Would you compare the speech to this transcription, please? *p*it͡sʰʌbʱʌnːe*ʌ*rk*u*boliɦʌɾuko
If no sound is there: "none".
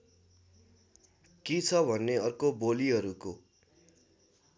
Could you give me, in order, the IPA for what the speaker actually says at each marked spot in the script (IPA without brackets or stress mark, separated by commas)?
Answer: k, ʌ, o